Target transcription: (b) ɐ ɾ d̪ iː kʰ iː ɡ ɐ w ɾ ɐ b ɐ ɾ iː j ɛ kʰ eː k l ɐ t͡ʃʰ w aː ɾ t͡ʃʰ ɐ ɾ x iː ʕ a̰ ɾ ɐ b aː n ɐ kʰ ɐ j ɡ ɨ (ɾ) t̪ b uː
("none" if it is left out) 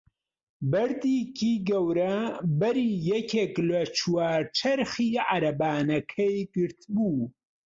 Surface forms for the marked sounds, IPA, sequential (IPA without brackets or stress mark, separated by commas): b, ɾ